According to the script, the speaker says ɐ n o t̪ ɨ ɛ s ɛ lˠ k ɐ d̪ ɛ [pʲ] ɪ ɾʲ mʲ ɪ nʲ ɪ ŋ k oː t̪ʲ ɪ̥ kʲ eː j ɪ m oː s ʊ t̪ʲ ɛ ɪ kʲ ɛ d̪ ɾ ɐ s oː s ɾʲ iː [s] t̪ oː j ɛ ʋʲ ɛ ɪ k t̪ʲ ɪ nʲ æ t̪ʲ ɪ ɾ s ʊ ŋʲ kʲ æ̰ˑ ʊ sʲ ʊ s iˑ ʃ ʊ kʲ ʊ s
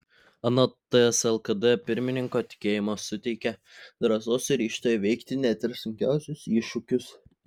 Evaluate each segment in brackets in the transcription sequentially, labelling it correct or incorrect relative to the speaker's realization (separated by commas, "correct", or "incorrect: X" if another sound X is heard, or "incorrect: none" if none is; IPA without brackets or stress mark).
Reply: correct, incorrect: ʃ